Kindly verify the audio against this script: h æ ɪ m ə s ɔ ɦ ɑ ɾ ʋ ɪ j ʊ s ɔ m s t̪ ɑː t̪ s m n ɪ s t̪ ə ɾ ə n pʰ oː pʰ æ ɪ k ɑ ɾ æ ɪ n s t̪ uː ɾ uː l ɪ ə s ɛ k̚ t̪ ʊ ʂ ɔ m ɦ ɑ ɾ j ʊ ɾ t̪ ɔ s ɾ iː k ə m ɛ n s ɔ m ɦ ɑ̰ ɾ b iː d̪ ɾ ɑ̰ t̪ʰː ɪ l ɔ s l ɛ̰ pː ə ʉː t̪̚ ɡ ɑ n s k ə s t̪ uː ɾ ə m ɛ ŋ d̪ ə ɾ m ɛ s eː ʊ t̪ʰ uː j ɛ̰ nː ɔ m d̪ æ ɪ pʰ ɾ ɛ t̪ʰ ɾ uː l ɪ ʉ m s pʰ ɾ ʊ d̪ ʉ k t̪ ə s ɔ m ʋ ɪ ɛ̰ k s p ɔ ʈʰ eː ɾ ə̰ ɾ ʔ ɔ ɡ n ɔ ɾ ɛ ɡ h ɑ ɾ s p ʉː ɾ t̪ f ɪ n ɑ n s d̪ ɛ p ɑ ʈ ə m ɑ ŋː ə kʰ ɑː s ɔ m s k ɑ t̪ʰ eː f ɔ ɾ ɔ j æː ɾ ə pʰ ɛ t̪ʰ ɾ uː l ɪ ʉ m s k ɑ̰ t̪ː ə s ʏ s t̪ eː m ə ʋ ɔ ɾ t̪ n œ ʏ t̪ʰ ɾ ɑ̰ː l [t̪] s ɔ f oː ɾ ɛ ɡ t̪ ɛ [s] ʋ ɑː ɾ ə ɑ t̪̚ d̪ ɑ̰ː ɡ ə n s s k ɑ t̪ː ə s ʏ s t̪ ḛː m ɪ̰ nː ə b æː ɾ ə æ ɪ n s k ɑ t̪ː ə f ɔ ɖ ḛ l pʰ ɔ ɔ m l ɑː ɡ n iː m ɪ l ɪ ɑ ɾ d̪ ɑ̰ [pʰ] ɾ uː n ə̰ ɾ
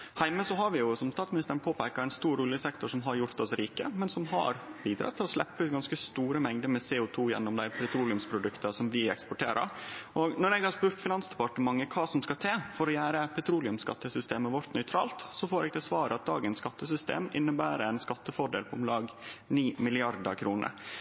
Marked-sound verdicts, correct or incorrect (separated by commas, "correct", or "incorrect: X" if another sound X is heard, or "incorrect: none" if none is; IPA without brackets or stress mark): correct, correct, incorrect: kʰ